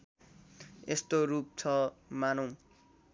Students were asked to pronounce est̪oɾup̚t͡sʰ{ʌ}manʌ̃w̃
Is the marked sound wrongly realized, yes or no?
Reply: no